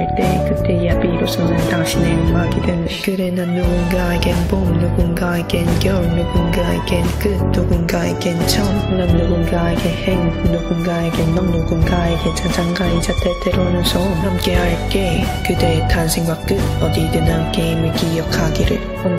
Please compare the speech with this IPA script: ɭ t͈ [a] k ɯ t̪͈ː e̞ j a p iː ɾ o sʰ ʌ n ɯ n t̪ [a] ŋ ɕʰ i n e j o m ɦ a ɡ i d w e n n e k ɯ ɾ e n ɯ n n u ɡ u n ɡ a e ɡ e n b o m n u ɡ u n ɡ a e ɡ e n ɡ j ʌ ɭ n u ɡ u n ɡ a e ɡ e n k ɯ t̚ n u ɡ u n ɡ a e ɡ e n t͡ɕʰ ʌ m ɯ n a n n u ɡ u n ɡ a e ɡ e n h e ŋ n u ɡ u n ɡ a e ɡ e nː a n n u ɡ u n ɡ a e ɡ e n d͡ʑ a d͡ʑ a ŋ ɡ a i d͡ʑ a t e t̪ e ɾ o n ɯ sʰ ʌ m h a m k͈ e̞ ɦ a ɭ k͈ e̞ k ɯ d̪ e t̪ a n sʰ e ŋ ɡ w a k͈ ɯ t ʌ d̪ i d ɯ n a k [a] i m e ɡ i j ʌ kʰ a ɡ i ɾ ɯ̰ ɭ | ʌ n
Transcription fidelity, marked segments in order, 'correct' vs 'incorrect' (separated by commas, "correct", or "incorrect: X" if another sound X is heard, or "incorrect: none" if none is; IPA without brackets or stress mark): incorrect: e, correct, incorrect: e